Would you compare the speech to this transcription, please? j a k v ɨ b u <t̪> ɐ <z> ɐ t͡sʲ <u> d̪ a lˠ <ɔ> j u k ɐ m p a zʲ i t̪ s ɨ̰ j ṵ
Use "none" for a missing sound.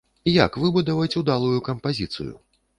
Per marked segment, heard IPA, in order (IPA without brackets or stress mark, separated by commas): d̪, v, u, u